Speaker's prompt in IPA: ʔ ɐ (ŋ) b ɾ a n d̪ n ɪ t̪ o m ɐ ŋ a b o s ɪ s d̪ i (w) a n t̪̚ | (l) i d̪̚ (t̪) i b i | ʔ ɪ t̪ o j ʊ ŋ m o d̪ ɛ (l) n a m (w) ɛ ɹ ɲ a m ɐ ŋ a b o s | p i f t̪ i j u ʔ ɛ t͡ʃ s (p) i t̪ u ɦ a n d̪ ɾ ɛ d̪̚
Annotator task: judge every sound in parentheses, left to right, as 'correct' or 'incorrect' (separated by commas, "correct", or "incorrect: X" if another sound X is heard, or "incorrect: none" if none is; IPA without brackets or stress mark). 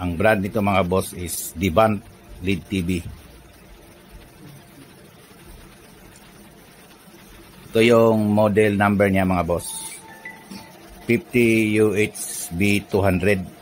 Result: correct, incorrect: b, correct, correct, correct, incorrect: b, incorrect: b